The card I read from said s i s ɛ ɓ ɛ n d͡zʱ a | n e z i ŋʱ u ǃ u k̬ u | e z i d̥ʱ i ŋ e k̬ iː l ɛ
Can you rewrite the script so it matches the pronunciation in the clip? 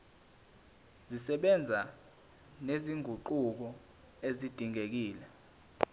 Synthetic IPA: z i s ɛ ɓ ɛ n d͡zʱ a | n e z i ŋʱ u ǃ u k̬ ɔ | e z i d̥ʱ i ŋ e k̬ iː l ɛ

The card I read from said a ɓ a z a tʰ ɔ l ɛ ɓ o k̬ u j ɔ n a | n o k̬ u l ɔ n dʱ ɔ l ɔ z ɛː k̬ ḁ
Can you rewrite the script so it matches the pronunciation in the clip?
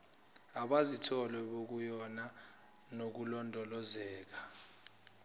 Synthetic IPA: a ɓ a z i tʰ ɔ l ɛ ɓ o k̬ u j ɔ n a | n o k̬ u l ɔ n dʱ ɔ l ɔ z ɛː k̬ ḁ

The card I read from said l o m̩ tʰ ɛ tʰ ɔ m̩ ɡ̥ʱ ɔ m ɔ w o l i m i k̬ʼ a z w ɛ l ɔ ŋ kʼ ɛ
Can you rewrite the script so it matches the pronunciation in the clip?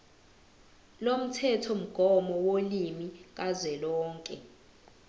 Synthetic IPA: l o m̩ tʰ ɛ tʰ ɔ m̩ ɡ̥ʱ ɔ m ɔ w o l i m i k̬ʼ a z w ɛ l ɔː ŋ kʼ ɛ

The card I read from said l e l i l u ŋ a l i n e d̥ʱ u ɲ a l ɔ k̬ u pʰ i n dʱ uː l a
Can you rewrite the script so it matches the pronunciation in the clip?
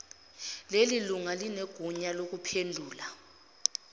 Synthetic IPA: l e l i l u ŋ a l i n e ɡ̥ʱ u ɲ a l o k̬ u pʰ e n dʱ uː l a

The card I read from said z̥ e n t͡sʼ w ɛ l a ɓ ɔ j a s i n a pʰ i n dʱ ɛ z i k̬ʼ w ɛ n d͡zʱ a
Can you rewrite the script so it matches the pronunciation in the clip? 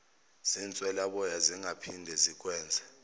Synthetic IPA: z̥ i n t͡sʼ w ɛ l a ɓ ɔ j a z i ŋ a pʰ i n dʱ ɛ z i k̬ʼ w ɛː n d͡zʱ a

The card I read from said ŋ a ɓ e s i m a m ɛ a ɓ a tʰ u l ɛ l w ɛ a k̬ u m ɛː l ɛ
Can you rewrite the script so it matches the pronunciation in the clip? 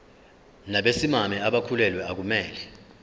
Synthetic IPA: n a ɓ e s i m a m ɛ a ɓ a kʰ u l ɛ l w ɛ a k̬ u m ɛː l ɛ

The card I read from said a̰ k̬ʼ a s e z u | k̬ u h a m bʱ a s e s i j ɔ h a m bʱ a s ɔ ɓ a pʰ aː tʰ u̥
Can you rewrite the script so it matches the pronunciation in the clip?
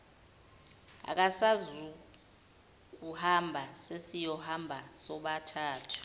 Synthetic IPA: a̰ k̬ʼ a s a z u | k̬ u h a m bʱ a s e s i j ɔ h a m bʱ a s ɔ ɓ a tʰ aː tʰ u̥

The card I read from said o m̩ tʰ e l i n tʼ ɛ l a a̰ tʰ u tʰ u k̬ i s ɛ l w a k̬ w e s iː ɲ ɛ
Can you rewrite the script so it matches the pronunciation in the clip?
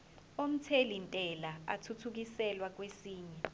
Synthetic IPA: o m̩ tʰ e l i n tʼ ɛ l a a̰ tʰ u tʰ u k̬ i s ɛ l w a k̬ w e s iː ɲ ɛ

